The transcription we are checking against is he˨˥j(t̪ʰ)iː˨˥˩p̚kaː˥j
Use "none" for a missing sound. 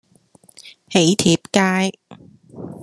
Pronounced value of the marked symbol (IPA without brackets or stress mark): t̪ʰ